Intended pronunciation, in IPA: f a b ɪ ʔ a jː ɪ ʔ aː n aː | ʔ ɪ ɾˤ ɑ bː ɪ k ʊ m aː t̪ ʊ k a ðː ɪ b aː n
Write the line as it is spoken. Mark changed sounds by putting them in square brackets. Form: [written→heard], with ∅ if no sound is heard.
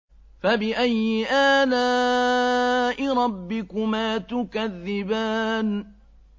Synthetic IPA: f a b ɪ ʔ a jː ɪ ʔ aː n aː | ʔ ɪ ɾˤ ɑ bː ɪ k ʊ m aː t̪ ʊ k a ðː ɪ b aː n

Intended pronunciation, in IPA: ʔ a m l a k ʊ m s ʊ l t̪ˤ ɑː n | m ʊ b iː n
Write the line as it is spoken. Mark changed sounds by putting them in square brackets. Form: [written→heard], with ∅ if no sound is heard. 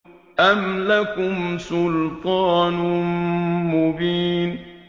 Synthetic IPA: ʔ a m l a k ʊ m s ʊ l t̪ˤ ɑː n | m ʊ b iː n

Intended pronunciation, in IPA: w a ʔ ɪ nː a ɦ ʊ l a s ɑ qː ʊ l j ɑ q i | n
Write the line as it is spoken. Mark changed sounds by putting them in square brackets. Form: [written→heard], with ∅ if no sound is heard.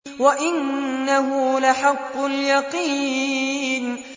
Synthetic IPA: w a ʔ ɪ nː a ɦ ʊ l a [s→ħ] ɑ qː ʊ l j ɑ q i | n

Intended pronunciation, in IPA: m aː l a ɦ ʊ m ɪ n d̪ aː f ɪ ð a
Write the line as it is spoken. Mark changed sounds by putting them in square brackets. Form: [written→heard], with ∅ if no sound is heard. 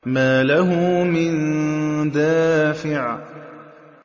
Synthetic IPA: m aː l a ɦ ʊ m ɪ n d̪ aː f ɪ [ð→ʕ] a

